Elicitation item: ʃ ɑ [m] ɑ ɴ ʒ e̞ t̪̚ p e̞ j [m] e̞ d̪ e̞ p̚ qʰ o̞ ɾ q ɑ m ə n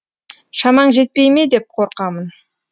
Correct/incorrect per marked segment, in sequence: correct, correct

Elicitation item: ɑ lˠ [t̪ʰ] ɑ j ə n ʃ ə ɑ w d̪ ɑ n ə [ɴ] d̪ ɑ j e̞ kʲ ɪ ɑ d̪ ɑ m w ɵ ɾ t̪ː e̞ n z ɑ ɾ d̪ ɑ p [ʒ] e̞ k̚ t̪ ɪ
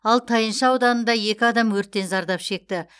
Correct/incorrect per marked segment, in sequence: correct, incorrect: n, incorrect: ʃ

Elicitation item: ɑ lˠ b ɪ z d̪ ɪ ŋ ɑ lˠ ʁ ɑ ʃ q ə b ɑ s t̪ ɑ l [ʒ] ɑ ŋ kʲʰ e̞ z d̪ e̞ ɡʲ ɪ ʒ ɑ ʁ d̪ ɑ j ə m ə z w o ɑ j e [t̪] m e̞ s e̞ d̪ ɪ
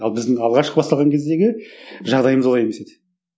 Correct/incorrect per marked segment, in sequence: incorrect: ʁ, incorrect: none

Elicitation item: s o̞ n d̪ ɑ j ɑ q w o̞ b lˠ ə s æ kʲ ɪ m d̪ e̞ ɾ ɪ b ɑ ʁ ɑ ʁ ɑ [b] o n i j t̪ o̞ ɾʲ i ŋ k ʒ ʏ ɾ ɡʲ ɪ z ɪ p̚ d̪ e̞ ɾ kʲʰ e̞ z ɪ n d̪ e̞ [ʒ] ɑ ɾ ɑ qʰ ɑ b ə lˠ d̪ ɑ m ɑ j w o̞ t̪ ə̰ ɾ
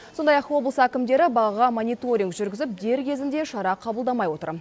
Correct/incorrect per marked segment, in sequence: incorrect: m, incorrect: ʃ

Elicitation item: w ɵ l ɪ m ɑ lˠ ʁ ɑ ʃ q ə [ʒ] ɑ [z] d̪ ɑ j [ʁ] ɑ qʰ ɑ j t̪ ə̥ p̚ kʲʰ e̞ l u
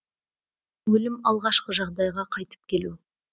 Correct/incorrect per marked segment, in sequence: correct, incorrect: ʁ, correct

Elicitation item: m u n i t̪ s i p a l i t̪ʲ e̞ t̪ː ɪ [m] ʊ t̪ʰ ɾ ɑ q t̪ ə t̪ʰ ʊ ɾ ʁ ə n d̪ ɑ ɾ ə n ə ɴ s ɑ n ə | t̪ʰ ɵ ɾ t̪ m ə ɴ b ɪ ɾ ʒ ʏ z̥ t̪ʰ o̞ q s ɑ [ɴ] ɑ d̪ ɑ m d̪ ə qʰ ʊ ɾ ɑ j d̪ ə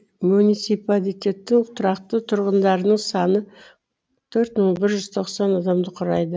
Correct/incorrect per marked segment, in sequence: incorrect: ŋ, incorrect: n

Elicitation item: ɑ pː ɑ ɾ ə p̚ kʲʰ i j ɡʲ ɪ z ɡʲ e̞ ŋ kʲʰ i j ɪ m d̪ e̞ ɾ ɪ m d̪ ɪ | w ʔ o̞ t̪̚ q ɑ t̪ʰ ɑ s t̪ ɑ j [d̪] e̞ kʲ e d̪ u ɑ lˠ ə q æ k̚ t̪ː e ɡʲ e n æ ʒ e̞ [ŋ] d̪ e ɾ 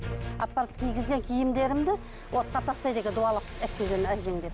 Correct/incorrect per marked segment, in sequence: correct, correct

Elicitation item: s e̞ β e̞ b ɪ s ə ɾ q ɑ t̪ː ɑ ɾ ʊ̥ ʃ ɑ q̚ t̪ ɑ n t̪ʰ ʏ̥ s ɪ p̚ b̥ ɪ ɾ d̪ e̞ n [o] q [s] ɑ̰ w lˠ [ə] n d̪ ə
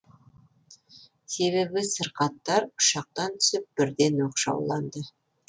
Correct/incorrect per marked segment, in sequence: correct, incorrect: ʃ, incorrect: ɑ

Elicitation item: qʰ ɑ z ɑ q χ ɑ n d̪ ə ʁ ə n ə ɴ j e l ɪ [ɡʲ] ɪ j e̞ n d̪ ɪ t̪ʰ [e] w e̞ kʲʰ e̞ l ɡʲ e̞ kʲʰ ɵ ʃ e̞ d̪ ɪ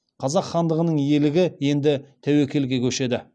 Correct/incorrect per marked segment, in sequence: correct, incorrect: æ

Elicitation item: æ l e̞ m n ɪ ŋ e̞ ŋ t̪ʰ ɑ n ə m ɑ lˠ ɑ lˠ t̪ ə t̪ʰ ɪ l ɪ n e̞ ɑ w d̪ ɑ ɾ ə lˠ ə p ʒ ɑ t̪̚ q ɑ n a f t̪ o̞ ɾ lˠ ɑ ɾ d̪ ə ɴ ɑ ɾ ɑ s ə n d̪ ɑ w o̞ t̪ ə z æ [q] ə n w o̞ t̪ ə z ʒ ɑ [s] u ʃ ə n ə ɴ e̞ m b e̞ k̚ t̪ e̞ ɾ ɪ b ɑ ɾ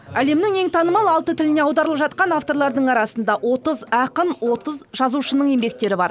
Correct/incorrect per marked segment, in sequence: correct, incorrect: z

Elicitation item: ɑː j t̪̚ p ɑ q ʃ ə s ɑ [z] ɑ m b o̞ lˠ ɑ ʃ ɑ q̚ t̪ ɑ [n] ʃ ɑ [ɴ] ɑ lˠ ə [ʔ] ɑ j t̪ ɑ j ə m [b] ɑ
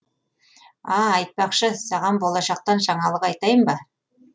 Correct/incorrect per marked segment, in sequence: incorrect: ʁ, correct, correct, incorrect: q, correct

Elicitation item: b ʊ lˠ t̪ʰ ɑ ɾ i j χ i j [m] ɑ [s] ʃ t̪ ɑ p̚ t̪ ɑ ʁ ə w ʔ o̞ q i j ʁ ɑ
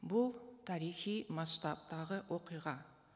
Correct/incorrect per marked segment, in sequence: correct, correct

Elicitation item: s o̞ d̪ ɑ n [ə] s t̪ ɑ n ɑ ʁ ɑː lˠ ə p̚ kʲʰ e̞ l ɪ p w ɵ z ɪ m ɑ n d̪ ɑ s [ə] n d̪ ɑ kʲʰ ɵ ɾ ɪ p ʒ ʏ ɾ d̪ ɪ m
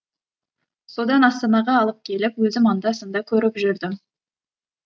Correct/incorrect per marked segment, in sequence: incorrect: ɑ, correct

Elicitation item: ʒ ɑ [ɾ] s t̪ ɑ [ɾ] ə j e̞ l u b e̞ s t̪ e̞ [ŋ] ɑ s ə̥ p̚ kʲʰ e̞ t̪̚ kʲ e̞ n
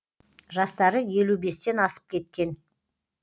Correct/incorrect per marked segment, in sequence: incorrect: none, correct, incorrect: n

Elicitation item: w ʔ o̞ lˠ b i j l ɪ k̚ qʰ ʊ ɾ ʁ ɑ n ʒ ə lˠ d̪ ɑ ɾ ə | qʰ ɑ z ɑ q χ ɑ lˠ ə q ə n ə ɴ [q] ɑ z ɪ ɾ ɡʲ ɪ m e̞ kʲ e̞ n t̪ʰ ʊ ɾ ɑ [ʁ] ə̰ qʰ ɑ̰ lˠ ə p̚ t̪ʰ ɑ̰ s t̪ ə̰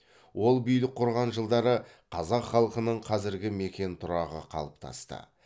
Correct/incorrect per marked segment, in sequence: incorrect: qʰ, correct

